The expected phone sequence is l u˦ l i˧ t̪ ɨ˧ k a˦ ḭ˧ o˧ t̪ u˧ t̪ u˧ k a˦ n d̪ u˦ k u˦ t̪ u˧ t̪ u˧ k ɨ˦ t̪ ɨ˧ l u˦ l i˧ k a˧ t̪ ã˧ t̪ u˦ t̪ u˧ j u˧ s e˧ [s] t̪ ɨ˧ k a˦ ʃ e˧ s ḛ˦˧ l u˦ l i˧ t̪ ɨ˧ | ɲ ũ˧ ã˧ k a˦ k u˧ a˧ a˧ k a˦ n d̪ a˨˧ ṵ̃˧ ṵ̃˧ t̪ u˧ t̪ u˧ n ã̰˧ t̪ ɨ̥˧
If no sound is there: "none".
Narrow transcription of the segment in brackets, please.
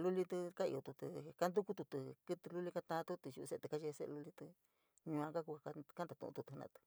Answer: none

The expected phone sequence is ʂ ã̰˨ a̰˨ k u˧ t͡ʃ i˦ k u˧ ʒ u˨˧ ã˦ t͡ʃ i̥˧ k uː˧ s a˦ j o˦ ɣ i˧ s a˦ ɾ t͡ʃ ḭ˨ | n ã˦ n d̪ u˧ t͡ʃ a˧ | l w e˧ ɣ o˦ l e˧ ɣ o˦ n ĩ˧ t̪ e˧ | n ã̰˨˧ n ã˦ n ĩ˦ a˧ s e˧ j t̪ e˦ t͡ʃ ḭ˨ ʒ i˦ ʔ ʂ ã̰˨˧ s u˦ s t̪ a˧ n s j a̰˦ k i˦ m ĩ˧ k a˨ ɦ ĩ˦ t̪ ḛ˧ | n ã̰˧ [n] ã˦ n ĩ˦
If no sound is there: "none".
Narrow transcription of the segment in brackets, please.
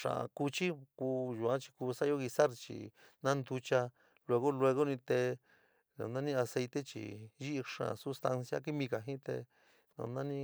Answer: n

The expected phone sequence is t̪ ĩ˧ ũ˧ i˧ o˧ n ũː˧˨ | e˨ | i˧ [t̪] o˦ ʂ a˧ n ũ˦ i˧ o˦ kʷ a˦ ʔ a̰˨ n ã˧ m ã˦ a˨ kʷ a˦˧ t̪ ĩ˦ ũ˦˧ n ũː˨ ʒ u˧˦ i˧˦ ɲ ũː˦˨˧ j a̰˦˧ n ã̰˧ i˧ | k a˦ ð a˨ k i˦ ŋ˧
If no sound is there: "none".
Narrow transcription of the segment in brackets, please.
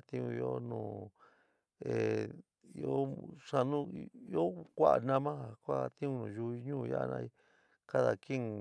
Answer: none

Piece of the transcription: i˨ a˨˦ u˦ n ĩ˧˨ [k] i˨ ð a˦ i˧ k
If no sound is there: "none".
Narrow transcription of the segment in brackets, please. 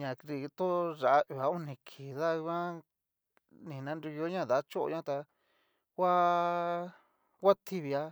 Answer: kʰ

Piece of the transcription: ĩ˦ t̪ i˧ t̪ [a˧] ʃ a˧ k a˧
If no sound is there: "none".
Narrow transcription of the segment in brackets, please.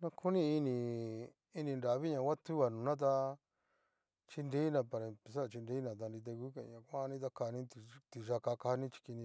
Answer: i˧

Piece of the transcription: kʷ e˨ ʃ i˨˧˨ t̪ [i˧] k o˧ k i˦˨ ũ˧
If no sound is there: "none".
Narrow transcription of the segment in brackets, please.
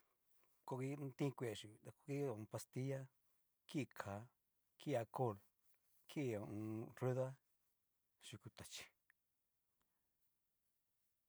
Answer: a˧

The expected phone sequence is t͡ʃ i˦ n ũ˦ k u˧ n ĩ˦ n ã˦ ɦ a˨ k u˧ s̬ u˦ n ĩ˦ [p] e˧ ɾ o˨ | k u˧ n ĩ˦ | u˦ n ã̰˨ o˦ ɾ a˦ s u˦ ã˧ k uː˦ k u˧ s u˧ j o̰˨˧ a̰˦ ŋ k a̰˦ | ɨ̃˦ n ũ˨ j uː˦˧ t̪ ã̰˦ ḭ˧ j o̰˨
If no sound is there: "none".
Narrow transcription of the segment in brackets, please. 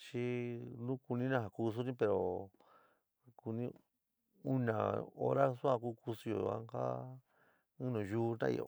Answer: p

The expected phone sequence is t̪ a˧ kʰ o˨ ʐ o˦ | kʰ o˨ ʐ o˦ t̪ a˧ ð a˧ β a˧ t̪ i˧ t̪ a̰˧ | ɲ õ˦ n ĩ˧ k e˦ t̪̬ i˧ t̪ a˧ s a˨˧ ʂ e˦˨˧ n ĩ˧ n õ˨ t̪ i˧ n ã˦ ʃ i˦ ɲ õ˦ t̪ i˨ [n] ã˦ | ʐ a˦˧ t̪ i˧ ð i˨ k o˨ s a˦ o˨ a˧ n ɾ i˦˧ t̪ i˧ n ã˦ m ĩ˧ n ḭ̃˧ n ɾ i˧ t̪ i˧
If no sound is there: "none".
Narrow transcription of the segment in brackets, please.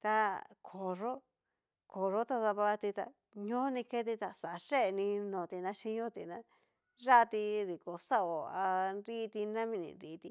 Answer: n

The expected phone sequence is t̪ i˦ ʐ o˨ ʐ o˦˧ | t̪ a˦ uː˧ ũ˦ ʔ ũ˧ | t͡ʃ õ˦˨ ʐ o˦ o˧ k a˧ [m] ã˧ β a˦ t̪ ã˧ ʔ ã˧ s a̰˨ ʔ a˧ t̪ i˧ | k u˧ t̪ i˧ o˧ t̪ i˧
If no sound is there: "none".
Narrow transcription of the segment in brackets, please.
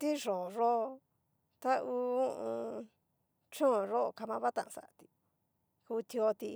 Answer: m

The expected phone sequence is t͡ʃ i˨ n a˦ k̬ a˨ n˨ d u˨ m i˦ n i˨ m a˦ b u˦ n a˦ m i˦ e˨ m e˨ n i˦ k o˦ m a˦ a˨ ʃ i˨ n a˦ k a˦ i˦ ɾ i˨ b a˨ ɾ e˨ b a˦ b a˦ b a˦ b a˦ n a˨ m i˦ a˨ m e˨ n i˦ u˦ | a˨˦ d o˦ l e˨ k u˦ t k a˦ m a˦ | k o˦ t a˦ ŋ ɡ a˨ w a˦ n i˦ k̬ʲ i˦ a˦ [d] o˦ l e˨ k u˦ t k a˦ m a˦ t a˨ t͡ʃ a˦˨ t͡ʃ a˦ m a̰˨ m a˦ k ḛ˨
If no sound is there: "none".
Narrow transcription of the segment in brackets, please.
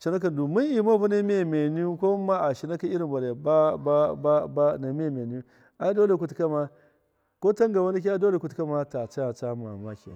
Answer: d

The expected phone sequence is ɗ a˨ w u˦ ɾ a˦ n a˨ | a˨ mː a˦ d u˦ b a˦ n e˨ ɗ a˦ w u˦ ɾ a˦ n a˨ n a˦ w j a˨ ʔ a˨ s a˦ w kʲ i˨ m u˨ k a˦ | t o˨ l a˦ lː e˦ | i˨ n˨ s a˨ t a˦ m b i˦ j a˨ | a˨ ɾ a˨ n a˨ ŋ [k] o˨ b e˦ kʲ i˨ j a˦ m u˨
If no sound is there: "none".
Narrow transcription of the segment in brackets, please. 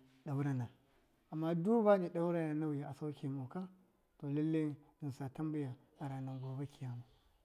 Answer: ɡ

